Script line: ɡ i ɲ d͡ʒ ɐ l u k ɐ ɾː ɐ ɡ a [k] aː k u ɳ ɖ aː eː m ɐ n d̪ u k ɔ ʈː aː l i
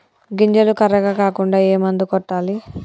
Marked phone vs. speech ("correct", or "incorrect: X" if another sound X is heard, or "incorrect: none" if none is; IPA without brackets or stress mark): correct